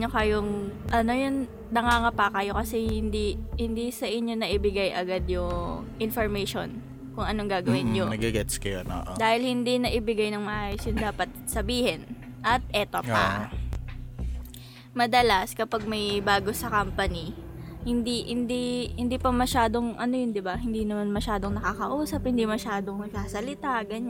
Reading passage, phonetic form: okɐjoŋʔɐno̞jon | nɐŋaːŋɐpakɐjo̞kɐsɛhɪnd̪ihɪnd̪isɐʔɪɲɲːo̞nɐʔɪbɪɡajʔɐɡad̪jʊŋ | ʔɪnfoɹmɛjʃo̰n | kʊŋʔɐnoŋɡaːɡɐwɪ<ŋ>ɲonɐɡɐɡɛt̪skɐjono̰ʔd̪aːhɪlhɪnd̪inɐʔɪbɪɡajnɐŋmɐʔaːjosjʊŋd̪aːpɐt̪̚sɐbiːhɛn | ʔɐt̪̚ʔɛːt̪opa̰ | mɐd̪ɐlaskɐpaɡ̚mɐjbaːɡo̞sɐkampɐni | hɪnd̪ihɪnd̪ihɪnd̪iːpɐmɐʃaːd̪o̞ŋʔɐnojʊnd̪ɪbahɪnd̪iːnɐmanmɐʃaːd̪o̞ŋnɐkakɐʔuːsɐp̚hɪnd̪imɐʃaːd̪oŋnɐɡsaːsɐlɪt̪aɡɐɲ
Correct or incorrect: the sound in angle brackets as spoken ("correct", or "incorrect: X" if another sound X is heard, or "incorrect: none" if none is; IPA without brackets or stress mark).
incorrect: n